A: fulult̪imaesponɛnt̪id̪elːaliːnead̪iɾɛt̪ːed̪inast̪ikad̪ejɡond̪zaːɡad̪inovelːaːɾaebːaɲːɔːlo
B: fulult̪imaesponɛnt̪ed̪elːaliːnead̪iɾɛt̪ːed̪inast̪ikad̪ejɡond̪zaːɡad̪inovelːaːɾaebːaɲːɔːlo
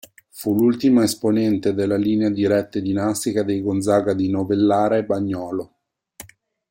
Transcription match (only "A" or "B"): B